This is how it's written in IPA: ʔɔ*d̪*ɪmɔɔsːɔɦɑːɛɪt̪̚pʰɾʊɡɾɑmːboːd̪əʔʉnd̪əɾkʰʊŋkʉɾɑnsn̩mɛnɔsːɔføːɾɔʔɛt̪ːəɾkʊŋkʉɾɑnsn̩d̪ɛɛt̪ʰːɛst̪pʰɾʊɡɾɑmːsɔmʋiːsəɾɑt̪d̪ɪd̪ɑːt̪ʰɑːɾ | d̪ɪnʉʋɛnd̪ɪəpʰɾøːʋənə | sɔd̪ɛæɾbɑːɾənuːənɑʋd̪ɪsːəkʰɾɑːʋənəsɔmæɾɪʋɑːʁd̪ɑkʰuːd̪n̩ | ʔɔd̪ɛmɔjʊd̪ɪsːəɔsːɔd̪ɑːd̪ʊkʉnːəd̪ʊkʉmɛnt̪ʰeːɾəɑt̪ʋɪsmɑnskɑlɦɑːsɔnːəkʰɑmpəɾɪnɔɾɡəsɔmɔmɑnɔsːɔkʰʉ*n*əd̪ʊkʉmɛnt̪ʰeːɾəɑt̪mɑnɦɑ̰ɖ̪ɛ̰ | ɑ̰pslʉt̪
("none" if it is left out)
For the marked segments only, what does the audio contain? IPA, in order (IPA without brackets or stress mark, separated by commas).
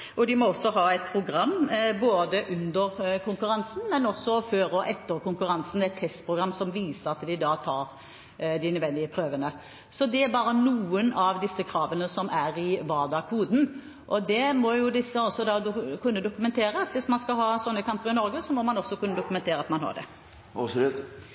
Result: d̪, nː